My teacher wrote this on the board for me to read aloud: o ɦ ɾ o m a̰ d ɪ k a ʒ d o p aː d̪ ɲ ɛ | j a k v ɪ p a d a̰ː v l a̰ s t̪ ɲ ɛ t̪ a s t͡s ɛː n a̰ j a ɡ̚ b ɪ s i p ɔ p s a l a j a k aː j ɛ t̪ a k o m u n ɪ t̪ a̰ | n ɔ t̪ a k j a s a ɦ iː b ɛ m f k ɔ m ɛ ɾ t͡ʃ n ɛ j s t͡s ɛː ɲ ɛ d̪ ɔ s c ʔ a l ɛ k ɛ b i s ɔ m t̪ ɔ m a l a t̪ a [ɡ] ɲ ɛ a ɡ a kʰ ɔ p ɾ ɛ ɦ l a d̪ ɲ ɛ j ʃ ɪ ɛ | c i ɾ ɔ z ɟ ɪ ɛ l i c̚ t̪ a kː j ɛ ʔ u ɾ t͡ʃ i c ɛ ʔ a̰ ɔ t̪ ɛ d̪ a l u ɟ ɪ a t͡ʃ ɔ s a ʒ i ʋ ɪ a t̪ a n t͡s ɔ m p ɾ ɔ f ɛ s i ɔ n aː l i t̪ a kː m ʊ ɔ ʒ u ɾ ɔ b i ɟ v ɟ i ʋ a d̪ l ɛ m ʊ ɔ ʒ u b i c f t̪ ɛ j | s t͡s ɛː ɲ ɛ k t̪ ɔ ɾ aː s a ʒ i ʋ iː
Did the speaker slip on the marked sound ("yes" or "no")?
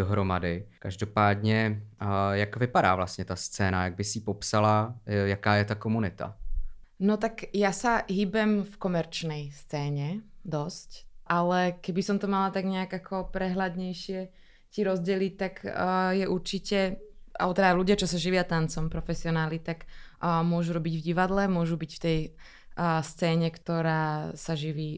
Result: no